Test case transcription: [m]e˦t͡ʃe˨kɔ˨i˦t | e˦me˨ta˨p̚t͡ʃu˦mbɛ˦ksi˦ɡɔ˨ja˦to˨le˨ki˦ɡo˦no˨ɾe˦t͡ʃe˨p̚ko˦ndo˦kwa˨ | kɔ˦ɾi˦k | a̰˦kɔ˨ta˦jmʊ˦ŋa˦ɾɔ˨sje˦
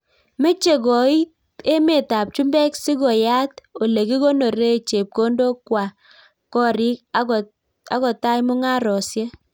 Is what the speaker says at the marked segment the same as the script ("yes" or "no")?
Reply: yes